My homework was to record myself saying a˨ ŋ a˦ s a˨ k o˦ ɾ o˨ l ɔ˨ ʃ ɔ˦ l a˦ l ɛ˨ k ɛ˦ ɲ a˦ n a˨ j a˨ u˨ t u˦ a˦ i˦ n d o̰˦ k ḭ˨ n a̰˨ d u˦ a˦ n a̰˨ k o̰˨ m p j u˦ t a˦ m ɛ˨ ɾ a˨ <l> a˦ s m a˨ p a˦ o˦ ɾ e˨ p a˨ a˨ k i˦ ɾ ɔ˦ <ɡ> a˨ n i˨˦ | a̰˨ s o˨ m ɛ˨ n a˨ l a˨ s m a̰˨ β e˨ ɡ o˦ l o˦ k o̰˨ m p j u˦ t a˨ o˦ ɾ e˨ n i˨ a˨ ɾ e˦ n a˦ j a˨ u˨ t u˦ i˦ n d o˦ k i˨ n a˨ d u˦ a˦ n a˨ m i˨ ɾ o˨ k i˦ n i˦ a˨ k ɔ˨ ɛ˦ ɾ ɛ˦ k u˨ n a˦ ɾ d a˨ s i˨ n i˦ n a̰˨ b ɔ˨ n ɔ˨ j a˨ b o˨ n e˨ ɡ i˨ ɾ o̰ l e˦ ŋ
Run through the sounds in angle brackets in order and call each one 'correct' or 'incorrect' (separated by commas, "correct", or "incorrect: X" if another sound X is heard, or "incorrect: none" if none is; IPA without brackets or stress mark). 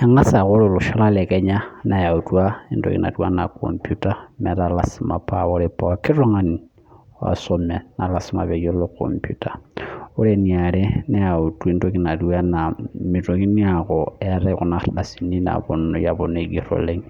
correct, incorrect: ŋ